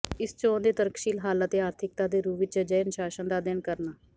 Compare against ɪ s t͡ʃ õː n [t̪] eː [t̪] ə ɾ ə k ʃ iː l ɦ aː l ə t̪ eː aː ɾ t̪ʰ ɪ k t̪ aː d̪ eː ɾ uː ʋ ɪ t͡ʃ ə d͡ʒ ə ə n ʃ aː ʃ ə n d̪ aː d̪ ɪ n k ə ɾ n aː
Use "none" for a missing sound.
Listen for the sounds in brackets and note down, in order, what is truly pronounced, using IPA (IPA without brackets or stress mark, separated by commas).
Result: d̪, t̪